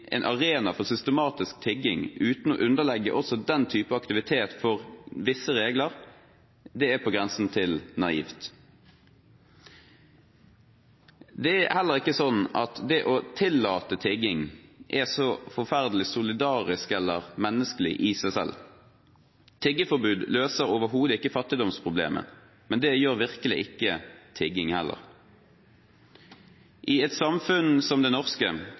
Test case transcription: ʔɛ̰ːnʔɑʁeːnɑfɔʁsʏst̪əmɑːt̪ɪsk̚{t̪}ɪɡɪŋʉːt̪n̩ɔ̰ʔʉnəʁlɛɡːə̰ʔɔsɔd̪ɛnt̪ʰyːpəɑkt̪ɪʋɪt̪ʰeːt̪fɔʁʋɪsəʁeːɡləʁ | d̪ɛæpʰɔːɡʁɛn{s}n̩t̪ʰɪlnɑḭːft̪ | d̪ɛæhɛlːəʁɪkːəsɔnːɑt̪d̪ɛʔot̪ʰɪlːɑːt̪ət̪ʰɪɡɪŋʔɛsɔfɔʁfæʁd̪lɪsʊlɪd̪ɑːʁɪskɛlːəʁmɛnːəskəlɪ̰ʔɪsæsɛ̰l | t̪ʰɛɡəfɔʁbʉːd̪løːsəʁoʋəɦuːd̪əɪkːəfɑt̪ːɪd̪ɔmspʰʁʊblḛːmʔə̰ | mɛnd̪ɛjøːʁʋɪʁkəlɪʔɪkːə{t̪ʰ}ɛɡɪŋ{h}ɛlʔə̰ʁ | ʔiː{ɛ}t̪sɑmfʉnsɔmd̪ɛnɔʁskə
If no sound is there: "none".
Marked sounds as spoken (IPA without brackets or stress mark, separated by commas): t̪ʰ, s, t̪ʰ, h, ɛ